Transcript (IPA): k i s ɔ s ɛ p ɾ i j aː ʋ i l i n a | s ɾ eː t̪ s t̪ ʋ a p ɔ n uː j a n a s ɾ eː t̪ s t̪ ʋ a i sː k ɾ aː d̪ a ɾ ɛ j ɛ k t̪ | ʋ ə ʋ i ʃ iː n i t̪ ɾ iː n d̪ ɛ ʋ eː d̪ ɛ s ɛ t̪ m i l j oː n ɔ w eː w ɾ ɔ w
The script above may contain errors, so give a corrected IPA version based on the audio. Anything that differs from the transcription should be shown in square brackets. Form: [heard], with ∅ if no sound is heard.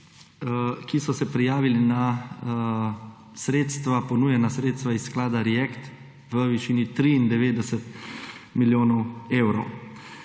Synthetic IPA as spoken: k i s ɔ s ɛ p ɾ i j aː ʋ i l i n a | s ɾ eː t̪ s t̪ ʋ a p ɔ n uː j [ɛ] n a s ɾ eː t̪ s t̪ ʋ a i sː k [l] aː d̪ a ɾ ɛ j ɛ k t̪ | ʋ ə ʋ i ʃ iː n i t̪ ɾ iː n d̪ ɛ ʋ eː d̪ ɛ s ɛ t̪ m i l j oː n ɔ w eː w ɾ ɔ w